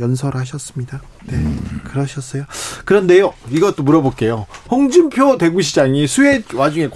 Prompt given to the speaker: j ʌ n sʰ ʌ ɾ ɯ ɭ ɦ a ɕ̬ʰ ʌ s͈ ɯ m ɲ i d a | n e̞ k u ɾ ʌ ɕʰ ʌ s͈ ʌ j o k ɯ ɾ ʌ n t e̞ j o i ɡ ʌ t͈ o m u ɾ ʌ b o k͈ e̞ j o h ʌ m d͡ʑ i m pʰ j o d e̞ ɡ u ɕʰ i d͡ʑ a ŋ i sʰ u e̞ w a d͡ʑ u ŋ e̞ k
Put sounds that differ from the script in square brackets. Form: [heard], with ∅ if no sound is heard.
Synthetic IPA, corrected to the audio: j ʌ n sʰ ʌ ɾ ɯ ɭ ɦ a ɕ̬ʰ ʌ s͈ ɯ m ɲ i d a | n e̞ k [ɯ] ɾ ʌ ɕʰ ʌ s͈ ʌ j o k ɯ ɾ ʌ n [d] e̞ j o i ɡ ʌ t͈ o m u ɾ ʌ b o k͈ e̞ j o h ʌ [ŋ] d͡ʑ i m pʰ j o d e̞ ɡ u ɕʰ i d͡ʑ a ŋ i sʰ u e̞ w a d͡ʑ u ŋ e̞ k